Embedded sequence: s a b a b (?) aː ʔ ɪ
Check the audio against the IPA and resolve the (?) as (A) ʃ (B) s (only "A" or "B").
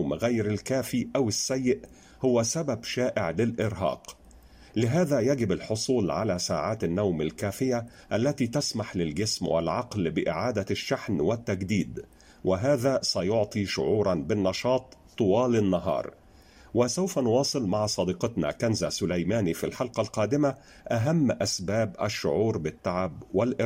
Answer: A